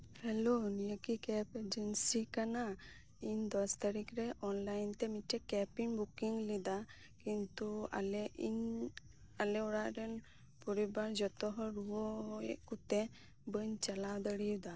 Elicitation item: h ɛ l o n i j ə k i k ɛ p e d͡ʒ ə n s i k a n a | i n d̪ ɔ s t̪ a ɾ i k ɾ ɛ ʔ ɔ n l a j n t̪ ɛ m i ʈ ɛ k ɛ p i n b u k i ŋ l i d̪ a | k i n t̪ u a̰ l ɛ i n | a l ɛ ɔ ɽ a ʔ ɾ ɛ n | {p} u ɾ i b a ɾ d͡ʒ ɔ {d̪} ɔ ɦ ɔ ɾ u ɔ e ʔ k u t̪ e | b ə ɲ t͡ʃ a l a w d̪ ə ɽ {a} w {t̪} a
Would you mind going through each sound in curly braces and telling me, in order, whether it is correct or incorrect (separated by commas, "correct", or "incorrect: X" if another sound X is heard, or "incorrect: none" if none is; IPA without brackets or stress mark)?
correct, incorrect: t̪, incorrect: i, incorrect: d̪